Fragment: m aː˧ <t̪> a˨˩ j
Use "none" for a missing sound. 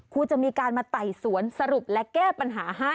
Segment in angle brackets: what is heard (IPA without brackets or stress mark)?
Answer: t̪